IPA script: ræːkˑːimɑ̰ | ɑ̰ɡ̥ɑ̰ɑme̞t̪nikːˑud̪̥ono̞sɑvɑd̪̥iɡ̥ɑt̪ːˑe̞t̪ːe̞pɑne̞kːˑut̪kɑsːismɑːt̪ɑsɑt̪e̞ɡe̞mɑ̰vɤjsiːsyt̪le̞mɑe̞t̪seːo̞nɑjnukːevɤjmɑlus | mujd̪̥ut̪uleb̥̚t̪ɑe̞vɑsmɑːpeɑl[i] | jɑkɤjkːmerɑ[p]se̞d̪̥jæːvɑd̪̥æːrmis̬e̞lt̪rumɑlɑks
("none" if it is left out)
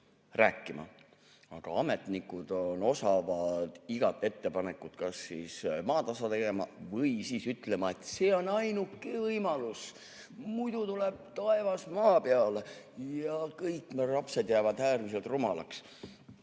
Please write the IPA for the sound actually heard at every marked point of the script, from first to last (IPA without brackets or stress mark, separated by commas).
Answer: e, p